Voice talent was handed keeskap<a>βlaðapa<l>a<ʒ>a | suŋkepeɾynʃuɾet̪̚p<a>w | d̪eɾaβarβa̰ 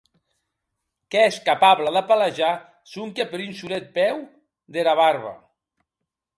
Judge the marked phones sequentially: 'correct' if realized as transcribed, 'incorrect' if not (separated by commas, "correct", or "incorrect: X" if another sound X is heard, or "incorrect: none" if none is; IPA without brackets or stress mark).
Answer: correct, correct, correct, incorrect: ɛ